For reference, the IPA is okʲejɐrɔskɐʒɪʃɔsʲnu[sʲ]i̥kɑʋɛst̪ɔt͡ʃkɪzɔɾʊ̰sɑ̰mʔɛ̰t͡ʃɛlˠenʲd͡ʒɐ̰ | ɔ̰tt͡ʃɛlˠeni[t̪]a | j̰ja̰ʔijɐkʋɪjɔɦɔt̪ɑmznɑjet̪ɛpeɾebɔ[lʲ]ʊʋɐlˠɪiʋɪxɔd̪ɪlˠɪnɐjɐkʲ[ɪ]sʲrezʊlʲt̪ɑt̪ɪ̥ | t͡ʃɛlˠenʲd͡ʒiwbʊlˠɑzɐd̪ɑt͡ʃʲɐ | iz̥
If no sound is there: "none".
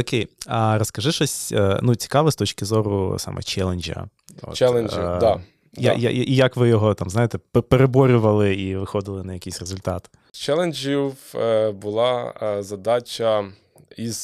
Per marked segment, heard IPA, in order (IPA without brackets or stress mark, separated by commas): t͡sʲ, d̪, ɾʲ, i